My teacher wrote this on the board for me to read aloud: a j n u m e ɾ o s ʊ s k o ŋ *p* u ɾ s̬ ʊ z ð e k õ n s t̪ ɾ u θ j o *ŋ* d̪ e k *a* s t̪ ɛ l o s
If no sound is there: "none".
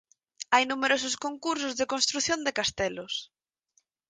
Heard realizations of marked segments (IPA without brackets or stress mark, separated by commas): k, n, a